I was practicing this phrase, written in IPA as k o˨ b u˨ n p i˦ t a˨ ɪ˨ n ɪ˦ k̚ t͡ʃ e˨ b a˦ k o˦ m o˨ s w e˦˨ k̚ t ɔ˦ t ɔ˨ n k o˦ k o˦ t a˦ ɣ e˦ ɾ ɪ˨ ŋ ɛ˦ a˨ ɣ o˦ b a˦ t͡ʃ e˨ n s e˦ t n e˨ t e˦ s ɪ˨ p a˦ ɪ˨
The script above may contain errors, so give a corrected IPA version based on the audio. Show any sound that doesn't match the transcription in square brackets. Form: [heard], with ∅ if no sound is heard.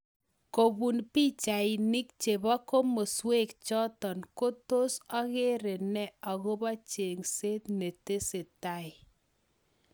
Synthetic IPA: k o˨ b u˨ n p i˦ [t͡ʃ] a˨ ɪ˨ n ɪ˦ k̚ t͡ʃ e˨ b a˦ k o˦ m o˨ s w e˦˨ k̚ [t͡ʃ] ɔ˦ t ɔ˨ n k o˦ [t] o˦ [s] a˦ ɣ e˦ ɾ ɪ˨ [n] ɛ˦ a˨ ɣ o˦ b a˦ t͡ʃ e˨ [ŋ] s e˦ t n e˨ t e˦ s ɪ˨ [t] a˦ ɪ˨